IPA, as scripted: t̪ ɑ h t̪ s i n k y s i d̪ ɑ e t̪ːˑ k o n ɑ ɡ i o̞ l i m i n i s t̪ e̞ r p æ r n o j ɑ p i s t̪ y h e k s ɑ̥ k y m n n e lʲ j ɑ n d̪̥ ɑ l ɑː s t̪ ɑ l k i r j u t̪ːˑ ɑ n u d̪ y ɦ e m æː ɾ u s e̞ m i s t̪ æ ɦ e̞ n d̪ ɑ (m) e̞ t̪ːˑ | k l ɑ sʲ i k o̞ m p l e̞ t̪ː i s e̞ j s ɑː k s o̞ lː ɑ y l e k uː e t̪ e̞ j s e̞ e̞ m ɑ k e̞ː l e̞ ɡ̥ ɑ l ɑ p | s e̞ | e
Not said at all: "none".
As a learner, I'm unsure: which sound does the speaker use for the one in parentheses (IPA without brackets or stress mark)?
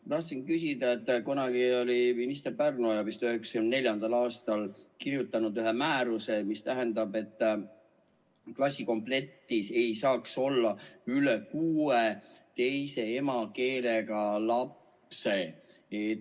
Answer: b